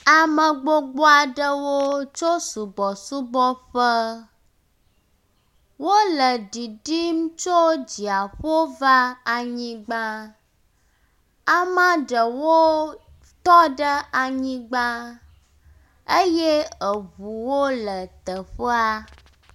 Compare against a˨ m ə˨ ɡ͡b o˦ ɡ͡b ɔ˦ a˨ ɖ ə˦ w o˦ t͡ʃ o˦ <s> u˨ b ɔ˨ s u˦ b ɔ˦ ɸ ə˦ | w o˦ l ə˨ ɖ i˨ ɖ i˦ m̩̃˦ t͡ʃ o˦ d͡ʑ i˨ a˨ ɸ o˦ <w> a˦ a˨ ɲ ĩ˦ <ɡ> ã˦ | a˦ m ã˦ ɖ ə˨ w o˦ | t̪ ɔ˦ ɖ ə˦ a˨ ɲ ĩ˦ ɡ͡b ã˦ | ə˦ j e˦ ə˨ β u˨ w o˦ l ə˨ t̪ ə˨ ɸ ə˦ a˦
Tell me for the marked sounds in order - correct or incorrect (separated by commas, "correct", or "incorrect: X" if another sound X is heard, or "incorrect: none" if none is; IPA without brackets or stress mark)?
correct, incorrect: v, incorrect: ɡ͡b